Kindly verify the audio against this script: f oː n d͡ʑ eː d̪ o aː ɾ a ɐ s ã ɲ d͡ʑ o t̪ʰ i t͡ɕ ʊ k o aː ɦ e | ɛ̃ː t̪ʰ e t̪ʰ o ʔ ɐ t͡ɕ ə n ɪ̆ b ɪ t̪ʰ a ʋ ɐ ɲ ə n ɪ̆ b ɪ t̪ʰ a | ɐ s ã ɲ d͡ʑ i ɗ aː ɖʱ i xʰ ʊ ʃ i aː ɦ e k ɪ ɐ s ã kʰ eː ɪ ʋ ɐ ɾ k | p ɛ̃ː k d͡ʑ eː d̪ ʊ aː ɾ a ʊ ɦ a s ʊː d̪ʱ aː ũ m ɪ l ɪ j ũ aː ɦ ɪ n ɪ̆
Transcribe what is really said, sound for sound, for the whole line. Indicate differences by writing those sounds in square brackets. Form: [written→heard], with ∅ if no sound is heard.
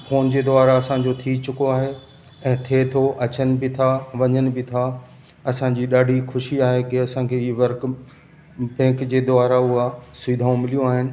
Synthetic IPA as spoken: f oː n d͡ʑ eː d̪ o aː ɾ a ɐ s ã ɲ d͡ʑ o t̪ʰ i t͡ɕ ʊ k o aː ɦ e | ɛ̃ː t̪ʰ e t̪ʰ o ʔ ɐ t͡ɕ ə n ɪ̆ b ɪ t̪ʰ a ʋ ɐ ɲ ə n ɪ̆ b ɪ t̪ʰ a | ɐ s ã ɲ d͡ʑ i ɗ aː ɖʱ i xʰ ʊ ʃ i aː ɦ e k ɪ ɐ s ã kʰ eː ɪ ʋ ɐ ɾ k | p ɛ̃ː k d͡ʑ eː d̪ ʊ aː ɾ a ʊ ɦ a s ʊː d̪ʱ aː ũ m ɪ l [ɪ→i] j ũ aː ɦ ɪ n ɪ̆